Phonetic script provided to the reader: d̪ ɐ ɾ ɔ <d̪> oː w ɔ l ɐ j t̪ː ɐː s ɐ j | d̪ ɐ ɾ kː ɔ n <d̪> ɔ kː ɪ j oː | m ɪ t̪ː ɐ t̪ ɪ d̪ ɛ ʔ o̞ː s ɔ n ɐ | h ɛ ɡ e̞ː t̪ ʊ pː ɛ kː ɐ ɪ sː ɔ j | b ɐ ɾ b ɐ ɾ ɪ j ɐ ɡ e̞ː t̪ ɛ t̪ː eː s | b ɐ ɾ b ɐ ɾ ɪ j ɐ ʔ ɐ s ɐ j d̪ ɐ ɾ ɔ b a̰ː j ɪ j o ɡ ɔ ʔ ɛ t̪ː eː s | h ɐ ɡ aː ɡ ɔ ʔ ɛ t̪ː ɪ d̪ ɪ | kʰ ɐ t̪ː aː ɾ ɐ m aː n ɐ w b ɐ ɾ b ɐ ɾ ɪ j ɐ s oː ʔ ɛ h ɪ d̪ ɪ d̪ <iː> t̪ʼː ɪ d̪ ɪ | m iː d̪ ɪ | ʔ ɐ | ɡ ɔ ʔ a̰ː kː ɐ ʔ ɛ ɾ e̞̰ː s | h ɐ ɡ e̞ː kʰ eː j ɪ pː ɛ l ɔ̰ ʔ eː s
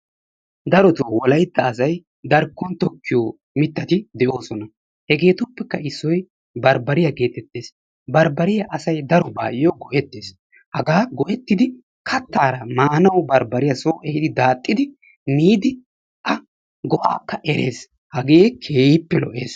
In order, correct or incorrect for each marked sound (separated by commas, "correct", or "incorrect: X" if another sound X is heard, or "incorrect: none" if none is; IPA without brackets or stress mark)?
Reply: incorrect: t̪, incorrect: t̪, incorrect: aː